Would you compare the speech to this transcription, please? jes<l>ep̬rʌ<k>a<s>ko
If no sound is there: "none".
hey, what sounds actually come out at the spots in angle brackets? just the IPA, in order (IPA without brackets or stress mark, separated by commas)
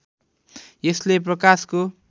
l, k, s